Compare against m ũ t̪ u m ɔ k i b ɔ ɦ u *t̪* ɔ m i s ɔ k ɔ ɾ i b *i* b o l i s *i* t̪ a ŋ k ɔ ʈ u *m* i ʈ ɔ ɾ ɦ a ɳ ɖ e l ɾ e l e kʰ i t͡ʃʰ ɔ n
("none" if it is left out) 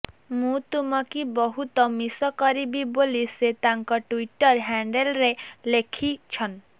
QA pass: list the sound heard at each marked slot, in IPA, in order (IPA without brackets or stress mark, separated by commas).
t̪, i, e, none